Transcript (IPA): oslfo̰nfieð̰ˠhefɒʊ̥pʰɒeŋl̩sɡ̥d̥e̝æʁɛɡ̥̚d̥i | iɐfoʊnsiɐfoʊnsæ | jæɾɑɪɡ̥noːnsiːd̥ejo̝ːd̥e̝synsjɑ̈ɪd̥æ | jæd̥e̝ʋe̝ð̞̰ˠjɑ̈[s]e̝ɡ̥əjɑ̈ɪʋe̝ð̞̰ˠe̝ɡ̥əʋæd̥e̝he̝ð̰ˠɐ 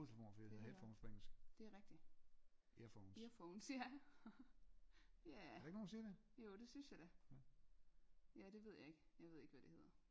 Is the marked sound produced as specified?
no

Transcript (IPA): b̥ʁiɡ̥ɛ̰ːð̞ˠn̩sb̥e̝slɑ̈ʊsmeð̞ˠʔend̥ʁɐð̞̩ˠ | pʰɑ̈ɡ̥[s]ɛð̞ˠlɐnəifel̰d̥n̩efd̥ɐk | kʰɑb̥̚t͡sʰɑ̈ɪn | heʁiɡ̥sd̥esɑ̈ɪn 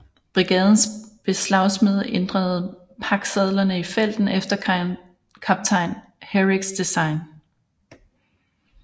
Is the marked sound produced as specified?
yes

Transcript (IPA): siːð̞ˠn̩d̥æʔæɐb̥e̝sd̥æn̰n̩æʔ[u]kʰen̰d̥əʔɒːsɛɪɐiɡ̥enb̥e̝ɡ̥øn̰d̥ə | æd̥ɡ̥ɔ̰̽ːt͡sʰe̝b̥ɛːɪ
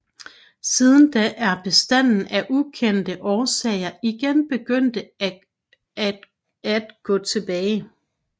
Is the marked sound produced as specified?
yes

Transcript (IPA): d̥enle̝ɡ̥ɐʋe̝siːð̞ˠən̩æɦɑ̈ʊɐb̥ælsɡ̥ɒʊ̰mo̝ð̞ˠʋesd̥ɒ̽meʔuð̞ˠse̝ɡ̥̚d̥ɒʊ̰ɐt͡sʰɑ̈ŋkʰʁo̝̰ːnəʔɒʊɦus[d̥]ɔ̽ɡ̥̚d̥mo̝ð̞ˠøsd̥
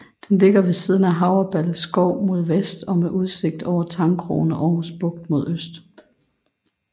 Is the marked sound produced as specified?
no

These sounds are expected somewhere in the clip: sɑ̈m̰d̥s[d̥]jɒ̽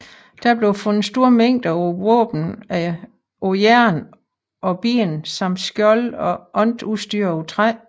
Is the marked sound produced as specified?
no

